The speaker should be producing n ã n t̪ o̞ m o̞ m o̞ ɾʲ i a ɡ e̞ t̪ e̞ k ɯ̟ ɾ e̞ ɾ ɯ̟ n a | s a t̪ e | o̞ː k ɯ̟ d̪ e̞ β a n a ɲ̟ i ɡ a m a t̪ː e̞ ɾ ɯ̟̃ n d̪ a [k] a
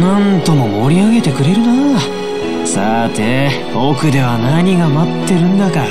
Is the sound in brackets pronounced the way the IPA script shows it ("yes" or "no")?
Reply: yes